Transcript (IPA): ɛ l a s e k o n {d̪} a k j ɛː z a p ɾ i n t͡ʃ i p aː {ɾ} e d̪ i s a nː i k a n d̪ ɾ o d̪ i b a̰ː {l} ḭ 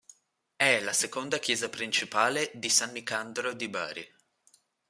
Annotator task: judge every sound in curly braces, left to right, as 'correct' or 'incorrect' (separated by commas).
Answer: correct, incorrect, incorrect